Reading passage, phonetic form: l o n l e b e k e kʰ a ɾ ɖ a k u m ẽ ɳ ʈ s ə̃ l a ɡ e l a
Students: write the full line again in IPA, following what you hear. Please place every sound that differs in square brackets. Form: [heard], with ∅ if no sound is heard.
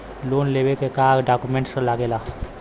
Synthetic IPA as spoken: l o n l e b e k e [k] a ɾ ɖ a k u m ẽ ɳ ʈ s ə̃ l a ɡ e l a